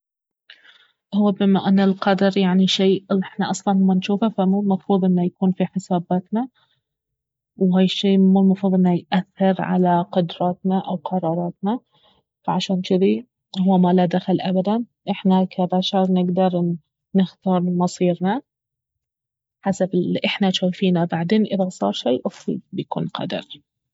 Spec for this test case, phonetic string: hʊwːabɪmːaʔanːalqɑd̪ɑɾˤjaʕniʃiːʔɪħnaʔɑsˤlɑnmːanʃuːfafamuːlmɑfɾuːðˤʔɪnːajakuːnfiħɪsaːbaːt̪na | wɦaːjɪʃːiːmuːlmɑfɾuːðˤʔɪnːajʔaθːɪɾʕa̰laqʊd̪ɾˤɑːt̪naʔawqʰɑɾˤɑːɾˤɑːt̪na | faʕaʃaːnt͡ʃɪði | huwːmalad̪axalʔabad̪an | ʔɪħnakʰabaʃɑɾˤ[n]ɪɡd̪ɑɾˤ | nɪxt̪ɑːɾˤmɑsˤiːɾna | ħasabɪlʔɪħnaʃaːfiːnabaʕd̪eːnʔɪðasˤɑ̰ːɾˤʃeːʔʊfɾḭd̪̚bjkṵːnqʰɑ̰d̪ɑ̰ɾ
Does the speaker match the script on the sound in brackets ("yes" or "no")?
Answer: yes